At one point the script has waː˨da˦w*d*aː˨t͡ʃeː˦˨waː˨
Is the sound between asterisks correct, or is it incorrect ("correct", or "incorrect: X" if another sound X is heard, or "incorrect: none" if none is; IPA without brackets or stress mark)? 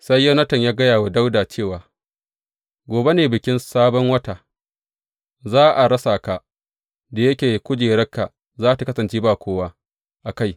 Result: correct